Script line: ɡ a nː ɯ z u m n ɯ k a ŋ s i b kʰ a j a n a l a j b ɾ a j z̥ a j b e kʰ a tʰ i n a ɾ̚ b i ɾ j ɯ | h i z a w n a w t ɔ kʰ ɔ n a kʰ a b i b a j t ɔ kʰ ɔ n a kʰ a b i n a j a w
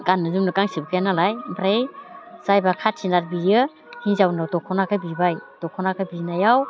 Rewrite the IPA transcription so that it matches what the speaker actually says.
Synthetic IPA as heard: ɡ a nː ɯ z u m n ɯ k a ŋ s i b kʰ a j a n a l a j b ɾ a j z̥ a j b a kʰ a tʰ i n a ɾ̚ b i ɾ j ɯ | h i z a w n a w t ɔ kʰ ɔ n a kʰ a b i b a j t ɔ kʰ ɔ n a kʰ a b i n a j a w